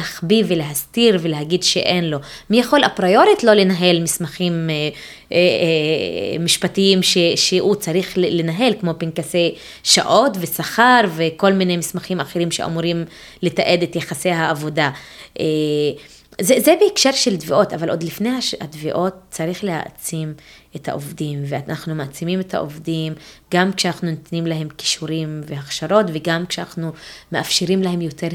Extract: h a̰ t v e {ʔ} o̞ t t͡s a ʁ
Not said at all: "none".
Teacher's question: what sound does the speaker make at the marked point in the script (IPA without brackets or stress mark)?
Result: ʔ